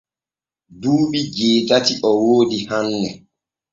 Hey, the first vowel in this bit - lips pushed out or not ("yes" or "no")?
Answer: yes